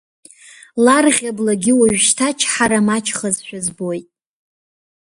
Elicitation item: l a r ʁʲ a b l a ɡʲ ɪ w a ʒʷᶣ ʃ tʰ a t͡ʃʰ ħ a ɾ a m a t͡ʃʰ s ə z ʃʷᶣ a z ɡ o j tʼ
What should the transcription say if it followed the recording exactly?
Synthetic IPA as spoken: l a r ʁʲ a b l a ɡʲ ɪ w a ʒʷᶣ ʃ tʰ a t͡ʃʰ ħ a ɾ a m a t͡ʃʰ χ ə z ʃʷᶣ a z b o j tʼ